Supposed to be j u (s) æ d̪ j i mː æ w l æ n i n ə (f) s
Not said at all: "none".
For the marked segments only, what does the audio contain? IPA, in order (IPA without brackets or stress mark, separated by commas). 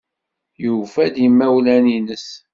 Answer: f, none